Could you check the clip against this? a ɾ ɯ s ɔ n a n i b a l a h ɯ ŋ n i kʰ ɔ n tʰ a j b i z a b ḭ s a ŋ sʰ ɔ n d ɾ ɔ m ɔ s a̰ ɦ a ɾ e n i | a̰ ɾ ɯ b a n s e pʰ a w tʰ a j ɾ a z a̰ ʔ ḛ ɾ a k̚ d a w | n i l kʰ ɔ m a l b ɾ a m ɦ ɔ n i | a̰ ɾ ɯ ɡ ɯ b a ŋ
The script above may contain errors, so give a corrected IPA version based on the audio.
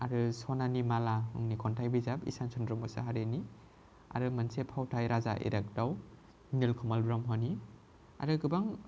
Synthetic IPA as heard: a ɾ ɯ s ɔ n a n i m a l a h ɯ ŋ n i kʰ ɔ n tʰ a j b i z a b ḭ s a n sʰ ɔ n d ɾ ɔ m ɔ s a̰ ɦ a ɾ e n i | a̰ ɾ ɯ m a n s e pʰ a w tʰ a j ɾ a z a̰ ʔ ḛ ɾ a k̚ d a w | n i l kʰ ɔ m a l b ɾ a m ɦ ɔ n i | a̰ ɾ ɯ ɡ ɯ b a ŋ